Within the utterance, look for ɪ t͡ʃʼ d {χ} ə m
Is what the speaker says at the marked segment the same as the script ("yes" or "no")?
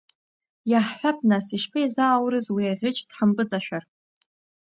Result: no